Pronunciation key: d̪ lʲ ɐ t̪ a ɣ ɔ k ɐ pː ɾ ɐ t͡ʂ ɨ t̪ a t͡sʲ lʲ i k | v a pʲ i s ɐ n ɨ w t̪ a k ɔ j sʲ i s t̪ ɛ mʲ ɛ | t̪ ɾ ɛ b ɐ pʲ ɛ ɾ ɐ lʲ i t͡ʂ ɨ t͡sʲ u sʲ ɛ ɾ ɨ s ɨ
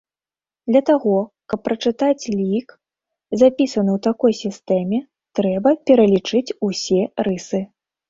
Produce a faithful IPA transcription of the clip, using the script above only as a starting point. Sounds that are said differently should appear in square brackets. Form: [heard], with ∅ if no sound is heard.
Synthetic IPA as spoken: d̪ lʲ ɐ t̪ a ɣ ɔ k ɐ pː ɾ ɐ t͡ʂ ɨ t̪ a t͡sʲ lʲ i k | [z] a pʲ i s ɐ n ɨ w t̪ a k ɔ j sʲ i s t̪ ɛ mʲ ɛ | t̪ ɾ ɛ b ɐ pʲ ɛ ɾ ɐ lʲ i t͡ʂ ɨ t͡sʲ u sʲ ɛ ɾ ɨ s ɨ